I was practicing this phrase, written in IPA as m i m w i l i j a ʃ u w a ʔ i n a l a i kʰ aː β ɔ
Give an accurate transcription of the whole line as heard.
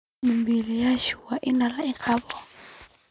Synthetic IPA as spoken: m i m b i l i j a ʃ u w a ʔ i n a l a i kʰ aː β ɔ